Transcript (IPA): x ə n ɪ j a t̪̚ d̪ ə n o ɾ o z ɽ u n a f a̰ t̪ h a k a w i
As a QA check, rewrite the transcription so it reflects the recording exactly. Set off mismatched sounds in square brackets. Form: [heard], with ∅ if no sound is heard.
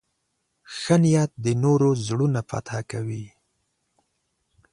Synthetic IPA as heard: x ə n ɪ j a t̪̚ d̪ ə n o ɾ o z ɽ u n a f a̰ t̪ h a k a w i